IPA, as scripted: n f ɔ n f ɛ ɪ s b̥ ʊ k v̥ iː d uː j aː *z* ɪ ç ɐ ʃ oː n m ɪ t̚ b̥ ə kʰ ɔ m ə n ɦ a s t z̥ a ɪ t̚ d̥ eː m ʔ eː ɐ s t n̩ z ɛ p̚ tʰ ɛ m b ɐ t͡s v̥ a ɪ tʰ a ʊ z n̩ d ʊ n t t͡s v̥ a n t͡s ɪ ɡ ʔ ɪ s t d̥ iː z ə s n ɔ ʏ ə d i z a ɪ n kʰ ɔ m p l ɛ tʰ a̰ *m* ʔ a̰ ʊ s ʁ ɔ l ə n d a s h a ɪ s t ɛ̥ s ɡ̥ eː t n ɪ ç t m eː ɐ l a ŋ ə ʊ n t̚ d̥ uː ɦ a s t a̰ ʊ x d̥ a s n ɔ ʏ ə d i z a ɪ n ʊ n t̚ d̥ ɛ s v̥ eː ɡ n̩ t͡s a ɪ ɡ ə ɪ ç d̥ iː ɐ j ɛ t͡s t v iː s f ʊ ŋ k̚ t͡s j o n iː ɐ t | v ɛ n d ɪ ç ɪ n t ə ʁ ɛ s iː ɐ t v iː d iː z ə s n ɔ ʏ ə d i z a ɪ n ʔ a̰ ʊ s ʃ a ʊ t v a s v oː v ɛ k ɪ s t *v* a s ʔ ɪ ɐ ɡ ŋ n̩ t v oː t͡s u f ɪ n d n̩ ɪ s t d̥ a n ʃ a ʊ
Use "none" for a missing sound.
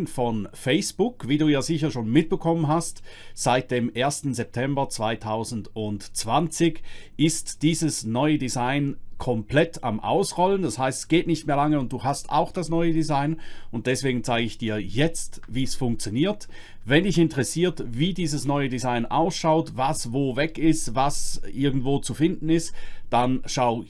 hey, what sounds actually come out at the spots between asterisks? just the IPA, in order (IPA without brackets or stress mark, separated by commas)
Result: z, m, v